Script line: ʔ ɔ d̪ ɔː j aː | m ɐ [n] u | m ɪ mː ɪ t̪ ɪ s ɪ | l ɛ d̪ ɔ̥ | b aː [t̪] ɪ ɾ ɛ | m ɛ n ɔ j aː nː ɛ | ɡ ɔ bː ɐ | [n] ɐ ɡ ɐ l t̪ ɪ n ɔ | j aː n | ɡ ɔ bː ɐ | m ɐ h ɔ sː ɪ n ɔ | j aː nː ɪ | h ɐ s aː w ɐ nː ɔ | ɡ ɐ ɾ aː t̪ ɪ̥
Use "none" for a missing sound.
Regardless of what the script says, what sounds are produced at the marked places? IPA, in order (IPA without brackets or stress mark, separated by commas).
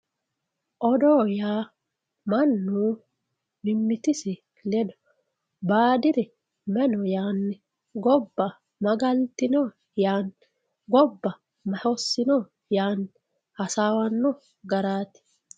nː, d̪, m